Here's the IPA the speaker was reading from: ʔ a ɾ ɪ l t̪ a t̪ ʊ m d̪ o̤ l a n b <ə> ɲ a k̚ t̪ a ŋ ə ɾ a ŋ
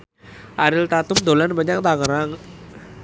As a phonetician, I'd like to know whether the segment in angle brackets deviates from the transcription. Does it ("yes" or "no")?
yes